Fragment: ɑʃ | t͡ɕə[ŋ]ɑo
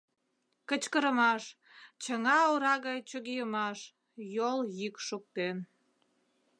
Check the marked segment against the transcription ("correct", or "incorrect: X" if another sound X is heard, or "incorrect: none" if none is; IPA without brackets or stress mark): correct